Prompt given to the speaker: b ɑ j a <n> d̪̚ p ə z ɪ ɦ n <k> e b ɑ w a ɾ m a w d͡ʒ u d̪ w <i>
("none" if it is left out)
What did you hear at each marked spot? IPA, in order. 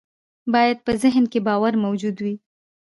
none, k, i

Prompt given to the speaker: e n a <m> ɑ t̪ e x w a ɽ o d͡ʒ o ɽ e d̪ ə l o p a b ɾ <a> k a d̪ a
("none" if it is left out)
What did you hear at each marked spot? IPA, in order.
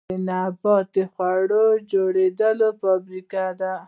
b, i

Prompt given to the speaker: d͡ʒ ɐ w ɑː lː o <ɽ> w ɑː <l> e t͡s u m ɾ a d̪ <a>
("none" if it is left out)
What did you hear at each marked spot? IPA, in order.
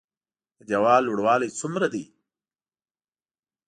ɽ, l, i

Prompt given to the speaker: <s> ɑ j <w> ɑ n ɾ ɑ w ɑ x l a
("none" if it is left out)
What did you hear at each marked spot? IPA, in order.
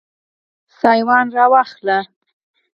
s, w

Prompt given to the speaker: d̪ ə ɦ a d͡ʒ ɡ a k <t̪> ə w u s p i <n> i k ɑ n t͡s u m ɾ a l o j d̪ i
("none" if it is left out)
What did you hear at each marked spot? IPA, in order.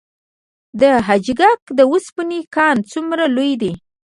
d̪, n

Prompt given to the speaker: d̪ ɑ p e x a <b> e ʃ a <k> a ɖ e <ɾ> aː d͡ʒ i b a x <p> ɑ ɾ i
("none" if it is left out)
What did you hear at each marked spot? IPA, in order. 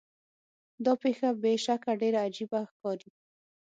b, k, ɾ, k

